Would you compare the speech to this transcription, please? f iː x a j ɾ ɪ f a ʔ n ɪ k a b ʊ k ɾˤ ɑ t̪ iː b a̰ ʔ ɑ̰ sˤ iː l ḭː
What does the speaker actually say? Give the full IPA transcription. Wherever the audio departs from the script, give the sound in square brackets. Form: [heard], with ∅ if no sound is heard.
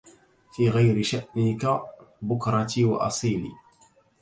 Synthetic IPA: f iː [ɣ] a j ɾ ɪ [ʃ] a ʔ n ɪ k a b ʊ k ɾˤ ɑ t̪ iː [w] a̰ ʔ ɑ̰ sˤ iː l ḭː